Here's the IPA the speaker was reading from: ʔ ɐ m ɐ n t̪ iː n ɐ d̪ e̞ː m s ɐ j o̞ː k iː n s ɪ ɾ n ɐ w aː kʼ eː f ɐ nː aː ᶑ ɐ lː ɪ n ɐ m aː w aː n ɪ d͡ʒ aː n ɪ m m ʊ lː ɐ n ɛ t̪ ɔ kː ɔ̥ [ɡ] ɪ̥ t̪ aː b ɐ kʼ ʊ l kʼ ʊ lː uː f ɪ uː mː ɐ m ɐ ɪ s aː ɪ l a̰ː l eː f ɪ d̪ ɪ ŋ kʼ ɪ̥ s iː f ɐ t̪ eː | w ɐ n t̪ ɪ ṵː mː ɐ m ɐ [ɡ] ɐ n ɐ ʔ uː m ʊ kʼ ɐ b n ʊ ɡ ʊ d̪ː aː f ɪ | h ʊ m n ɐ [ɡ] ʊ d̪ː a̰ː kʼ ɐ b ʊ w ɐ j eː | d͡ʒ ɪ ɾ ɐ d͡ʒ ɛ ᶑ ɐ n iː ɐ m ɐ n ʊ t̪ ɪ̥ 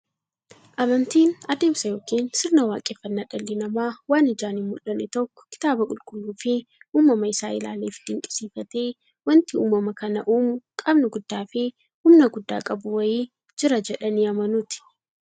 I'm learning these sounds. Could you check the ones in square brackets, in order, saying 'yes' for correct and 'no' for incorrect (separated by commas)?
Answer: no, no, yes